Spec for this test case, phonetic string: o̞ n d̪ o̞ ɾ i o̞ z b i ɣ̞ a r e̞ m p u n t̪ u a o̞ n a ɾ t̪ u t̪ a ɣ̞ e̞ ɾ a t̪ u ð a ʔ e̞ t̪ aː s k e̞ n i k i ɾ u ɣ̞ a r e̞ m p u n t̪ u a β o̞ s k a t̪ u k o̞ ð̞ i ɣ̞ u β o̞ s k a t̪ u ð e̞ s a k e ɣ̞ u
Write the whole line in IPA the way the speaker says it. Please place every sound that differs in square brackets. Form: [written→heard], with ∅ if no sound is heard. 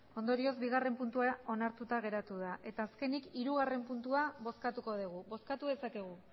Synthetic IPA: o̞ n d̪ o̞ ɾ i o̞ z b i ɣ̞ a r e̞ m p u n t̪ u a o̞ n a ɾ t̪ u t̪ a ɣ̞ e̞ ɾ a t̪ u ð a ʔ e̞ t̪ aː s k e̞ n i k i ɾ u ɣ̞ a r e̞ m p u n t̪ u a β o̞ s k a t̪ u k o̞ ð̞ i ɣ̞ u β o̞ s k a t̪ u ð e̞ s a k e ɣ̞ u